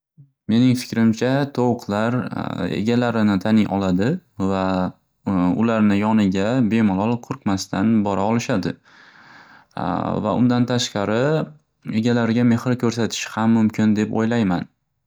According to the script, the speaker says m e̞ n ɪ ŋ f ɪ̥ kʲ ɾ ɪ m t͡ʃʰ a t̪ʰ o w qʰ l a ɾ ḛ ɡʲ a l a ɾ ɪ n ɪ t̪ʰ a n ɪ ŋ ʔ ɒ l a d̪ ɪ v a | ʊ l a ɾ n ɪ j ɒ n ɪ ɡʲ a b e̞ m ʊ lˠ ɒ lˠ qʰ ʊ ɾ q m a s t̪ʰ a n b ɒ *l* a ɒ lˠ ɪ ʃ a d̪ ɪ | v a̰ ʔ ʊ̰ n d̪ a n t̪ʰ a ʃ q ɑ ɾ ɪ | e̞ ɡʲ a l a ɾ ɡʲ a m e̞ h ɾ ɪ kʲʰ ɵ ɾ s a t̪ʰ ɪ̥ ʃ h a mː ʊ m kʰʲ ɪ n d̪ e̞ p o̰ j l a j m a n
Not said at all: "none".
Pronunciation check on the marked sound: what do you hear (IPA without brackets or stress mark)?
ɾ